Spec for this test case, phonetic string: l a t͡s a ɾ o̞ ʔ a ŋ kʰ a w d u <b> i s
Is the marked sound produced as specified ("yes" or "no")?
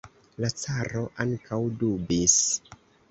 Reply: yes